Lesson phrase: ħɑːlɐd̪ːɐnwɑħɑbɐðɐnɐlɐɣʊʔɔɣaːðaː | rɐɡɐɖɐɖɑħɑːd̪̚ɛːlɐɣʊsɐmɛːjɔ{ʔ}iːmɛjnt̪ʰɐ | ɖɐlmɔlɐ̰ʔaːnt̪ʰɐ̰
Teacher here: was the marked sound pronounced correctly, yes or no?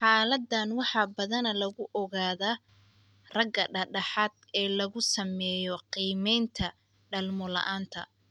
no